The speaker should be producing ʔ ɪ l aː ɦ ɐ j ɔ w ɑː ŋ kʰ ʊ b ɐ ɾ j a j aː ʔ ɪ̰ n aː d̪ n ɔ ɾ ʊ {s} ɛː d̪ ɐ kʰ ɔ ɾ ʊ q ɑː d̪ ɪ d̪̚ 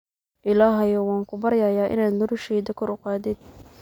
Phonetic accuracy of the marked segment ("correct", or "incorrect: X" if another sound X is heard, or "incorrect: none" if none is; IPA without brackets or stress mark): incorrect: ʃ